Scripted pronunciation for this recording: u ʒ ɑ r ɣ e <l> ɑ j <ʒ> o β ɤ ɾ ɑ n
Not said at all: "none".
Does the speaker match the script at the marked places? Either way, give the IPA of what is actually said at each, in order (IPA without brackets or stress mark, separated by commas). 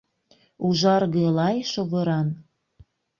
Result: l, ʃ